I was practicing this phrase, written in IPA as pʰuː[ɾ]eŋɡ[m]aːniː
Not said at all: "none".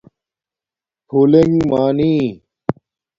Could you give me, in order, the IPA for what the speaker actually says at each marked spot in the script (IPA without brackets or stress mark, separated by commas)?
l, m